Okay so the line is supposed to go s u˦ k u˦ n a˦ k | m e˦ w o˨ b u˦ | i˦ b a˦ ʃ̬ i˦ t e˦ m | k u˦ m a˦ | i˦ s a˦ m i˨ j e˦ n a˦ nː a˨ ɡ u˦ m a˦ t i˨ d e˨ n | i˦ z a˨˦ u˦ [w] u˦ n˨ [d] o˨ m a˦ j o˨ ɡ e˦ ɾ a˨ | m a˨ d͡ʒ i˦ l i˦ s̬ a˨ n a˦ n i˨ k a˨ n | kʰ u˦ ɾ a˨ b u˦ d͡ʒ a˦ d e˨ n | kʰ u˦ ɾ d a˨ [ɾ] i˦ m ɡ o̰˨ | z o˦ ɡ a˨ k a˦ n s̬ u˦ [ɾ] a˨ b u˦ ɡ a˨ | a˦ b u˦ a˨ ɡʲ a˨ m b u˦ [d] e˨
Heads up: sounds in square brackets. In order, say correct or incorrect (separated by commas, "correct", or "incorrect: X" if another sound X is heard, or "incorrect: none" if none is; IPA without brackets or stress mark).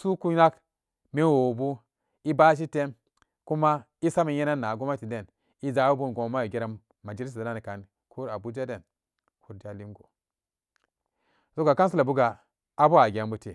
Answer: incorrect: b, incorrect: ɡ, incorrect: l, incorrect: l, incorrect: t